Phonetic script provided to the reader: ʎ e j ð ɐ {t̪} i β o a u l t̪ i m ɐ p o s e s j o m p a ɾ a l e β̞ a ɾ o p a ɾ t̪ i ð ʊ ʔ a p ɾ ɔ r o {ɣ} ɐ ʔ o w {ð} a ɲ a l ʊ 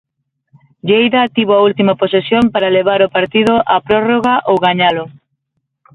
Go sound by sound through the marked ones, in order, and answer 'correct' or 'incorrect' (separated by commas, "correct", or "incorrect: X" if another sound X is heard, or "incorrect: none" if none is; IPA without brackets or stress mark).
correct, correct, incorrect: ɣ